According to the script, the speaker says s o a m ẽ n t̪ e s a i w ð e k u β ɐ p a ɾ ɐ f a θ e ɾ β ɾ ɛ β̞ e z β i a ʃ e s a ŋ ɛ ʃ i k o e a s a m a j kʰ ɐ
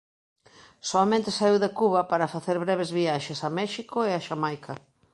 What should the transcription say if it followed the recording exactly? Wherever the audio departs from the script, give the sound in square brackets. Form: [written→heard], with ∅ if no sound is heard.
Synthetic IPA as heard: s o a m ẽ n t̪ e s a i w ð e k u β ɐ p a ɾ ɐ f a θ e ɾ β ɾ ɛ β̞ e z β i a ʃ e s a [ŋ→m] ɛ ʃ i k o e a [s→ʃ] a m a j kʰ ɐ